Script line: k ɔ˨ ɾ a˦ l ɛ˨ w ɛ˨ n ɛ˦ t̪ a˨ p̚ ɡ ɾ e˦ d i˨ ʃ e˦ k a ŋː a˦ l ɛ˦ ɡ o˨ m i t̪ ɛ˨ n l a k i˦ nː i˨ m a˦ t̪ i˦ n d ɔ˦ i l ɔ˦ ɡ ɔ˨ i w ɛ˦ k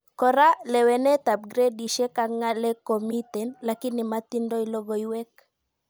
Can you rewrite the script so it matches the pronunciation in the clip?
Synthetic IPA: k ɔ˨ ɾ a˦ l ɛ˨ w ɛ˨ n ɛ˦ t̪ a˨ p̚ ɡ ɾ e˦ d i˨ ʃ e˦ k a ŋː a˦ l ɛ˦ k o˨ m i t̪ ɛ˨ n l a k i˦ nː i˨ m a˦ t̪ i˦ n d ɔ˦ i l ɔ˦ ɡ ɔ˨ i w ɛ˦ k